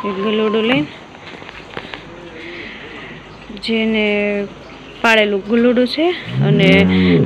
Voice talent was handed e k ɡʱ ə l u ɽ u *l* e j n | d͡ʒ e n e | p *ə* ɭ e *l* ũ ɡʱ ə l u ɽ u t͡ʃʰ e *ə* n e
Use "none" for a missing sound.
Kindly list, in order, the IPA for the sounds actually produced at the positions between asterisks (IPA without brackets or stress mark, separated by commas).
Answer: l, a, l, ə